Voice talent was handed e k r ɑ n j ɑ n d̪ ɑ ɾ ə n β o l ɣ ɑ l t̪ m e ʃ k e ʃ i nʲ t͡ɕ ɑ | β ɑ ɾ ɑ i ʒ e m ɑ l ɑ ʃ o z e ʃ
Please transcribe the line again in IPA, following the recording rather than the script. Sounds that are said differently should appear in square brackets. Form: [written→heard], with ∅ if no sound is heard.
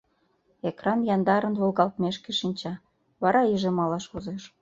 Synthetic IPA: e k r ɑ n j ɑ n d̪ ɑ ɾ ə n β o l ɣ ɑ l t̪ m e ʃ k e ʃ i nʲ t͡ɕ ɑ | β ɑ ɾ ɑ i ʒ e m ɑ l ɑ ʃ o z e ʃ